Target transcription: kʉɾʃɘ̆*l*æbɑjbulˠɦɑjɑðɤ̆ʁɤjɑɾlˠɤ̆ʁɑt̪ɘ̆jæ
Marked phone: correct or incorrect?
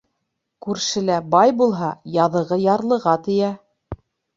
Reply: correct